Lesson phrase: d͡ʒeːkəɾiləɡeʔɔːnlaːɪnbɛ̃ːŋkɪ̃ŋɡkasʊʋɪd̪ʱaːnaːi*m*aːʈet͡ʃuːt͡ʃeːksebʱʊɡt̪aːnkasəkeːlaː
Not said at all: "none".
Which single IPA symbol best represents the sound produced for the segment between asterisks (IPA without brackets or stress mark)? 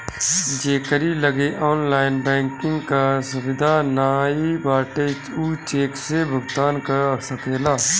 b